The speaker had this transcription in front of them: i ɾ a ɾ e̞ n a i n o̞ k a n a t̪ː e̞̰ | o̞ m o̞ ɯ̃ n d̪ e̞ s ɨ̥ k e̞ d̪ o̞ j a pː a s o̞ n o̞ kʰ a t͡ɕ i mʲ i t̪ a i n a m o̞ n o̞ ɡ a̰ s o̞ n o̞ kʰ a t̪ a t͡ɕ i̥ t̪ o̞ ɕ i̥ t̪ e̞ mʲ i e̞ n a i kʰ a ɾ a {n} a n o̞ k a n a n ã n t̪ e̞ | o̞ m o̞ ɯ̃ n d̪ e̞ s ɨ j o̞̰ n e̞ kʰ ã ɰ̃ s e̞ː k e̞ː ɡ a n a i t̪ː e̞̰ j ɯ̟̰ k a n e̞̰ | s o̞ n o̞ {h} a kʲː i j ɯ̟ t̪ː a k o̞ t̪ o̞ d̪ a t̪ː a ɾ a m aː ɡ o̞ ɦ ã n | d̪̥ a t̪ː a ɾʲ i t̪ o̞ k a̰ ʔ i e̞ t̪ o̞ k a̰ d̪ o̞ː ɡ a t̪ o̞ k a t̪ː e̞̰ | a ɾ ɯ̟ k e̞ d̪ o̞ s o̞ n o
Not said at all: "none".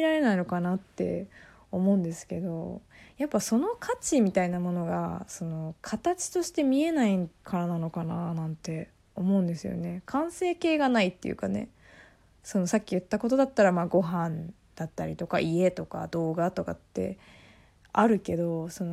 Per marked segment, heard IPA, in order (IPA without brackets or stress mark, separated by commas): n, s